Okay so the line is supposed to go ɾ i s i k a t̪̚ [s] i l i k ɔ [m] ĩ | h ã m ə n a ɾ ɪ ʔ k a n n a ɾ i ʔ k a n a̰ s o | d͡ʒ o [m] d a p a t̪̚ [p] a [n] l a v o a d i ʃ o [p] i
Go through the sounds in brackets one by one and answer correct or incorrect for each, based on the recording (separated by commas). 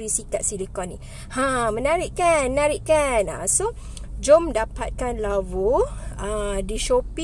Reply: correct, incorrect, correct, incorrect, correct, correct